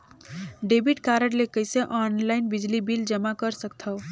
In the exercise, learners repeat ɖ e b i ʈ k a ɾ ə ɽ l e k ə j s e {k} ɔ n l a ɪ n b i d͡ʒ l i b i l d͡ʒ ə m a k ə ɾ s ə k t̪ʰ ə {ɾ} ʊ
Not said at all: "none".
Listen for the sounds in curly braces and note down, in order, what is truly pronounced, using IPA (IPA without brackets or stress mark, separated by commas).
ʔ, none